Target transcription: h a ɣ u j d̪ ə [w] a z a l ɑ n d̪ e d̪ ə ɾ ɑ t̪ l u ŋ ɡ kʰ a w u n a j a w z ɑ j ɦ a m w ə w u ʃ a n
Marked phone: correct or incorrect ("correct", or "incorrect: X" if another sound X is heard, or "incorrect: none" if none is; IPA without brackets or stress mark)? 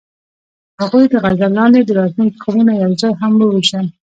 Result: incorrect: ɣ